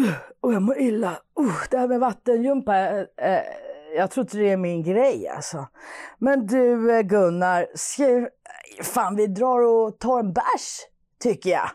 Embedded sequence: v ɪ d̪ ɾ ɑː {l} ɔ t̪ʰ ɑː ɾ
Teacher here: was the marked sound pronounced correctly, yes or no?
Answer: no